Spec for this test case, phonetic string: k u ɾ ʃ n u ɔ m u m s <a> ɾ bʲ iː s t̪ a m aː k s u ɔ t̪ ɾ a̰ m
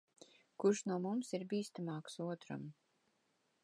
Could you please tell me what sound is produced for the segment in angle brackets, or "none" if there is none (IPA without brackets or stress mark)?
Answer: i